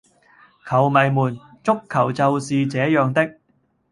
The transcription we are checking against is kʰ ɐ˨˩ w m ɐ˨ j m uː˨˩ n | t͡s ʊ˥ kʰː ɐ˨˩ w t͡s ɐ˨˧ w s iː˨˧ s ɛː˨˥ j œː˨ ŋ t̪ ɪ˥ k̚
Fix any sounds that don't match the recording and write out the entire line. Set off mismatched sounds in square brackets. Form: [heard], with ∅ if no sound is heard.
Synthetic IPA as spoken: kʰ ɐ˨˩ w m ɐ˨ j m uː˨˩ n | t͡s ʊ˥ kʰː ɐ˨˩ w t͡s ɐ˨˧ w s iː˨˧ [t͡s] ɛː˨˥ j œː˨ ŋ t̪ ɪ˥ k̚